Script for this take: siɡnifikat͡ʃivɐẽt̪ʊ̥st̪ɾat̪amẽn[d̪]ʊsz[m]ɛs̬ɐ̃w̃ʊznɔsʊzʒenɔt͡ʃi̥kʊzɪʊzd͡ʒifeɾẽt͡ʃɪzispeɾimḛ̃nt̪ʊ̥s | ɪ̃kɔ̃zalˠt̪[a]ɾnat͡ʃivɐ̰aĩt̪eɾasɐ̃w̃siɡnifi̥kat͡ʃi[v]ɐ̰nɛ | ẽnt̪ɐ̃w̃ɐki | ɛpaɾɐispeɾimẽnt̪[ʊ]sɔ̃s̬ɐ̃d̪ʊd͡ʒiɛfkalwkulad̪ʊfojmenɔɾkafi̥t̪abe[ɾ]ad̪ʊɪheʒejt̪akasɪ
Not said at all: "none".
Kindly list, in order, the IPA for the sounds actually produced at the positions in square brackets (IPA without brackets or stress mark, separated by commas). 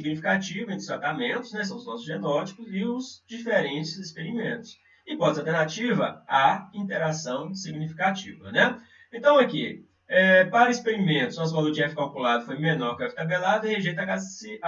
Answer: t̪, n, e, v, ʊ, l